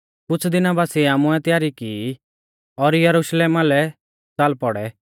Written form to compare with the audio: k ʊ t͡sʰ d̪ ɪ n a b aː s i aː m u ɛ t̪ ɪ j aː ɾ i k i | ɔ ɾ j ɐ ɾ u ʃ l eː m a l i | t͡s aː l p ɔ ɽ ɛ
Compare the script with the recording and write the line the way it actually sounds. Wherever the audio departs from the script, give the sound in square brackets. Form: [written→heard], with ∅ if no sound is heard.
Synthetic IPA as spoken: k ʊ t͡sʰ d̪ ɪ n a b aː s i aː m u ɛ t̪ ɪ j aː ɾ i k i | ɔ ɾ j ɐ ɾ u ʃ l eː m a l [i→ɛ] | t͡s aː l p ɔ ɽ ɛ

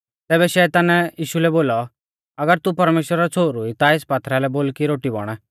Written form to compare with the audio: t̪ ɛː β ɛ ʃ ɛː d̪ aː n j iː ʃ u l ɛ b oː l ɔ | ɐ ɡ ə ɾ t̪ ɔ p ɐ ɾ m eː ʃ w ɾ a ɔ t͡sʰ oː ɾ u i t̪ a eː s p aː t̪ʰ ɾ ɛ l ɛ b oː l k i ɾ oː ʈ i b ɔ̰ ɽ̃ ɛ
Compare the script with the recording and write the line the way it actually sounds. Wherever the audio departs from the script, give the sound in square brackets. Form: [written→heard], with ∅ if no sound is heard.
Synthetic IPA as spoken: t̪ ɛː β ɛ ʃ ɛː [d̪→t̪] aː n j iː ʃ u l ɛ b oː l ɔ | ɐ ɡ ə ɾ t̪ [ɔ→u] p ɐ ɾ m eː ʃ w ɾ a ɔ t͡sʰ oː ɾ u i t̪ a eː s p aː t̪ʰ ɾ [ɛ→a] l ɛ b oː l k i ɾ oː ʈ i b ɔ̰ ɽ̃ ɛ

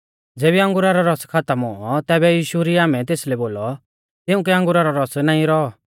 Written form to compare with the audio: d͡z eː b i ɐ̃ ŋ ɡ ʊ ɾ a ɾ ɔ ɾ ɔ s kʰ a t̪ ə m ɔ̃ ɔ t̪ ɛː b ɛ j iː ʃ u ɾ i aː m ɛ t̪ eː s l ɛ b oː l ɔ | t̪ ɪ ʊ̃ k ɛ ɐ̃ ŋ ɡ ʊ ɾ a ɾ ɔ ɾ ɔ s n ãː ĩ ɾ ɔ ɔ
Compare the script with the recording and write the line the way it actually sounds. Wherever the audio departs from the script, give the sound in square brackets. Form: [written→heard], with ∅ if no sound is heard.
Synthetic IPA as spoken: d͡z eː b i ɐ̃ ŋ ɡ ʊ ɾ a ɾ ɔ ɾ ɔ s kʰ a t̪ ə m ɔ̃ ɔ t̪ ɛː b ɛ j iː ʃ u ɾ i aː m ɛ t̪ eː s l ɛ b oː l ɔ | t̪ ɪ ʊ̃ k ɛ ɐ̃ ŋ ɡ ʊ ɾ a ɾ ɔ ɾ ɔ s n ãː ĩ ɾ ɔ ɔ

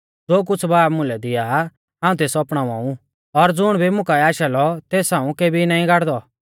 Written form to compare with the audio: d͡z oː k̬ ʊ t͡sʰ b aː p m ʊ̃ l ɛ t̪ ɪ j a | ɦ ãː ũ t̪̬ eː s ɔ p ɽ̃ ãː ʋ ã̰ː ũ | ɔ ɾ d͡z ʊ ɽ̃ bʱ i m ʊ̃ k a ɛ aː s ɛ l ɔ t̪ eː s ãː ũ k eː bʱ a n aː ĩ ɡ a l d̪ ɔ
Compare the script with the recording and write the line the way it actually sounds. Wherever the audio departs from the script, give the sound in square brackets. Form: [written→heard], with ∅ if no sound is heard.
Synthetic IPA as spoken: d͡z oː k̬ ʊ t͡sʰ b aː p m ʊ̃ l ɛ [t̪→d̪] ɪ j a | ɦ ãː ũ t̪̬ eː s ɔ p ɽ̃ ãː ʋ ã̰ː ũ | ɔ ɾ d͡z ʊ ɽ̃ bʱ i m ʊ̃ k a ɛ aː [s→ʃ] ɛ l ɔ t̪ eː s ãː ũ k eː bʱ [a→i] n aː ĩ ɡ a [l→ɽ] d̪ ɔ

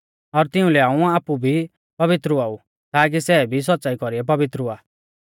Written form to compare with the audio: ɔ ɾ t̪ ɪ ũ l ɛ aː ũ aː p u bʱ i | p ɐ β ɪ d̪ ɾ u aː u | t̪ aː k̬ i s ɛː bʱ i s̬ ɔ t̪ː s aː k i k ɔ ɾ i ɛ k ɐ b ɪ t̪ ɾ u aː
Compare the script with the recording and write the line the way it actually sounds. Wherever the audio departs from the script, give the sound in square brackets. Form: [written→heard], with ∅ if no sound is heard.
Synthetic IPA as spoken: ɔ ɾ t̪ ɪ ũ l ɛ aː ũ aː p u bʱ i | p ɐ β ɪ [d̪→t̪] ɾ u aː u | t̪ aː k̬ i s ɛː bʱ i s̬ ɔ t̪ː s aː [k→∅] i k ɔ ɾ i ɛ [k→p] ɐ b ɪ t̪ ɾ u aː

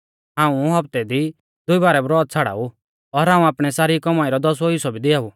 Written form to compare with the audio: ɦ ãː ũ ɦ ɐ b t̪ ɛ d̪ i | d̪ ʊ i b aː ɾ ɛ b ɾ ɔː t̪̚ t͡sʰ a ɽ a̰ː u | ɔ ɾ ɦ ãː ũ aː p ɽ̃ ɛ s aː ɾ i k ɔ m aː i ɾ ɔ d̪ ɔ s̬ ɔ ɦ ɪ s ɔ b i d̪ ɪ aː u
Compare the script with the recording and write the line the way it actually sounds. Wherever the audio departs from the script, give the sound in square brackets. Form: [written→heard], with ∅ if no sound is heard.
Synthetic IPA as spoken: ɦ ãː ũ ɦ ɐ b t̪ ɛ d̪ i | d̪ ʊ i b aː ɾ ɛ b ɾ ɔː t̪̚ t͡sʰ a ɽ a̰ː u | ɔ ɾ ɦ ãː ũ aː p ɽ̃ ɛ s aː ɾ i k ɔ m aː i ɾ ɔ d̪ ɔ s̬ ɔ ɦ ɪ s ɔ b i d̪ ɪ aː u

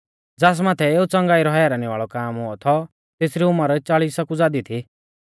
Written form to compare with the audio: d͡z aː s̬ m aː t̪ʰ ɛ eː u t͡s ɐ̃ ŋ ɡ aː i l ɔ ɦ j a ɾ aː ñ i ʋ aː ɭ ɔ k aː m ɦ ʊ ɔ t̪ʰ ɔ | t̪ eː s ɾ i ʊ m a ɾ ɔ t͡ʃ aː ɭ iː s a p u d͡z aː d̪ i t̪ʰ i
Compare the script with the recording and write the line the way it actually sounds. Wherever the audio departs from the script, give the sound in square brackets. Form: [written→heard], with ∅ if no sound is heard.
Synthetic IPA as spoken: d͡z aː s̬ m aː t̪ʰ ɛ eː u t͡s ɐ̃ ŋ ɡ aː i [l→ɾ] ɔ ɦ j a ɾ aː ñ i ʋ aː ɭ ɔ k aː m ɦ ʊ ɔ t̪ʰ ɔ | t̪ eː s ɾ i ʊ m a ɾ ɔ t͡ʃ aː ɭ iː s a [p→k] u d͡z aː d̪ i t̪ʰ i

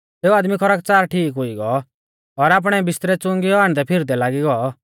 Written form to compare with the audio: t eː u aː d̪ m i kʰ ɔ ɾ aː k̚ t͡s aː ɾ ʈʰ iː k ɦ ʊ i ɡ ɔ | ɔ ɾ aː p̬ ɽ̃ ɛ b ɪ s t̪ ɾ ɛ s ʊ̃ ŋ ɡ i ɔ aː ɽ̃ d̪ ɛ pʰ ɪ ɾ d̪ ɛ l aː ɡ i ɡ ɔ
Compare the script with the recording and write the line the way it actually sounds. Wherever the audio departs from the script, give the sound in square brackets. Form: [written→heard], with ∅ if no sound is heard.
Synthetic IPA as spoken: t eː u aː d̪ m i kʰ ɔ ɾ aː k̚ t͡s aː ɾ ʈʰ iː k ɦ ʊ i ɡ ɔ | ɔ ɾ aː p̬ ɽ̃ ɛ b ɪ s t̪ ɾ ɛ [s→t͡s] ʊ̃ ŋ ɡ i ɔ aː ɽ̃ d̪ ɛ pʰ ɪ ɾ d̪ ɛ l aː ɡ i ɡ ɔ

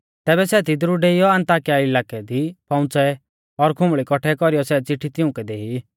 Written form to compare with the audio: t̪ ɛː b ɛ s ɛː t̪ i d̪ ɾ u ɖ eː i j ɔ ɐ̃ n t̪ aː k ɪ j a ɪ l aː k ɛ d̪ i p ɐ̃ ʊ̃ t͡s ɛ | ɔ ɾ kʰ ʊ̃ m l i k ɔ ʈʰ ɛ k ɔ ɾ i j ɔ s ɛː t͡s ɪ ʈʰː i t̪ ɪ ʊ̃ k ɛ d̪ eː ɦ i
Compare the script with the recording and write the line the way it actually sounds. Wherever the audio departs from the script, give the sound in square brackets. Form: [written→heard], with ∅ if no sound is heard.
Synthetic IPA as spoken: t̪ ɛː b ɛ s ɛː t̪ i d̪ ɾ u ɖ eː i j ɔ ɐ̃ n t̪ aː k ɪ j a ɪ l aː k ɛ d̪ i p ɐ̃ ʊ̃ t͡s ɛ | ɔ ɾ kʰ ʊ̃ m [l→ɭ] i k ɔ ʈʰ ɛ k ɔ ɾ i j ɔ s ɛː t͡s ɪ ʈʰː i t̪ ɪ ʊ̃ k ɛ d̪ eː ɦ i

